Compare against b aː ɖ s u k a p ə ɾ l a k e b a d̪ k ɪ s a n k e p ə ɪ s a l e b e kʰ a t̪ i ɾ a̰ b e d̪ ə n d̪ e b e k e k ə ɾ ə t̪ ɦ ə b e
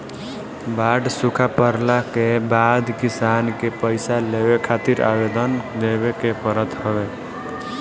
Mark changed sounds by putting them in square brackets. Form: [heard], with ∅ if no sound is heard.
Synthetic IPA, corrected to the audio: b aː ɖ s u [kʰ] a p ə ɾ l a k e b a d̪ k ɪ s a n k e p ə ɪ s a l e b e kʰ a t̪ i ɾ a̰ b e d̪ ə n d̪ e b e k e [p] ə ɾ ə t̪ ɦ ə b e